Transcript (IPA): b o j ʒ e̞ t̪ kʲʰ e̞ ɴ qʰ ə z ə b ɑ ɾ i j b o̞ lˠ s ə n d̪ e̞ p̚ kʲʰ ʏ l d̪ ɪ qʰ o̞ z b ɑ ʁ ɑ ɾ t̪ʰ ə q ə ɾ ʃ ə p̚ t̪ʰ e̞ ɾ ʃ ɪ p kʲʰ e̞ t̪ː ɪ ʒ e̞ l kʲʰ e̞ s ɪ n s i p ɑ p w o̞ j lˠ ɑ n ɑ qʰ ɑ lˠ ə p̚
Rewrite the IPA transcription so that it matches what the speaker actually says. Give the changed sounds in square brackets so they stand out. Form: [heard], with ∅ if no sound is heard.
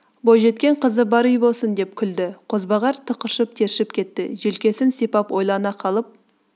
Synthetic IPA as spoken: b o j ʒ e̞ t̪ [kʲ] e̞ ɴ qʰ ə z ə b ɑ ɾ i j b o̞ lˠ s ə n d̪ e̞ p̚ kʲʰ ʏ l d̪ ɪ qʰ o̞ z b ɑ ʁ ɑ ɾ t̪ʰ ə q ə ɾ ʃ ə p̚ t̪ʰ e̞ ɾ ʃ ɪ p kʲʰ e̞ t̪ː ɪ ʒ e̞ l [kʲ] e̞ s ɪ n s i p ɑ p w o̞ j lˠ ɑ n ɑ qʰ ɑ lˠ ə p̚